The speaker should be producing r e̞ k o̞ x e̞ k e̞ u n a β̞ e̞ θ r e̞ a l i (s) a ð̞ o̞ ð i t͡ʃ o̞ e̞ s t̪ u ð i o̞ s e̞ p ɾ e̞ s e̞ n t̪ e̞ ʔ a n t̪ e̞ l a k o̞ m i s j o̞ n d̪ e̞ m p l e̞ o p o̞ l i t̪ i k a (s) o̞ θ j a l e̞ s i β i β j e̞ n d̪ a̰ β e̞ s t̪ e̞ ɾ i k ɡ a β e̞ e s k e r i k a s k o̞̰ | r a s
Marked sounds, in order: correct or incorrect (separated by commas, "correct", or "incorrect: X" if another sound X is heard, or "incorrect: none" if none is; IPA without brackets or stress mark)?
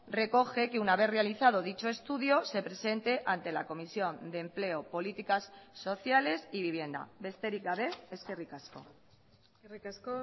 incorrect: θ, incorrect: sː